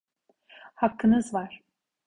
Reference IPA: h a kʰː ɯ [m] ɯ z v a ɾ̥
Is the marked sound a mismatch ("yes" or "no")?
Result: yes